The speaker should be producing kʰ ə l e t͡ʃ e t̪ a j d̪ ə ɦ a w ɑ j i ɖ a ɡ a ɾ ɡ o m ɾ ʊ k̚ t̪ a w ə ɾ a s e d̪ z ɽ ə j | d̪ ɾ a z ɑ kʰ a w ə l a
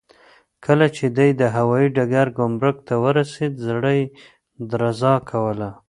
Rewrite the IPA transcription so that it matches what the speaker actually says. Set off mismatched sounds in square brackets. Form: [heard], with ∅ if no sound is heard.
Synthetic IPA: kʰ ə l [a] t͡ʃ e [d̪] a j d̪ ə ɦ a w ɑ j i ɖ a ɡ a ɾ ɡ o m ɾ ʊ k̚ t̪ a w ə ɾ a s e d̪ z ɽ ə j | d̪ ɾ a z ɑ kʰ a w ə l a